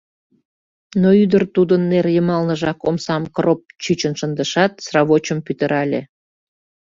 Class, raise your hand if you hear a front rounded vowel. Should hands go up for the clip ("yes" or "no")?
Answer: yes